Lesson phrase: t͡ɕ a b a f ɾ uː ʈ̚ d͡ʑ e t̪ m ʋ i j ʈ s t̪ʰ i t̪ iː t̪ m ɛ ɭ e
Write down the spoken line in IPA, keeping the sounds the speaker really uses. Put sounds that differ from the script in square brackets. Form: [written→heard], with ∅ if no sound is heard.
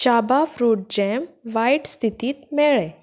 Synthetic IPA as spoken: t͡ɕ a b a f ɾ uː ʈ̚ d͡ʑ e [t̪→∅] m ʋ [i→a] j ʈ s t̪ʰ i t̪ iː t̪ m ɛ ɭ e